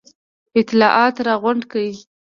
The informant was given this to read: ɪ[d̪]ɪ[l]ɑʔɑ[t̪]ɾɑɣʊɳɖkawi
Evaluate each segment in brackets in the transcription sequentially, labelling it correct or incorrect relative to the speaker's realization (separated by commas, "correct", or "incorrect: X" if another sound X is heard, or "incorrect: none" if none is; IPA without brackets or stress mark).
incorrect: t̪, correct, correct